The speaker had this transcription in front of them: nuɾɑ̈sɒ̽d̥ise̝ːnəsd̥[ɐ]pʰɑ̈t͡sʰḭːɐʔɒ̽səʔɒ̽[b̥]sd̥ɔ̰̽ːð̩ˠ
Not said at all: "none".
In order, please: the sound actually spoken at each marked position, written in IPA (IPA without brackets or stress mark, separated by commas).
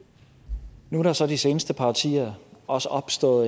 ə, b̥